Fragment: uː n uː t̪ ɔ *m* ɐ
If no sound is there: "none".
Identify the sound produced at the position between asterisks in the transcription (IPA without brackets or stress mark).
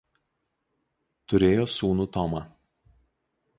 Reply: m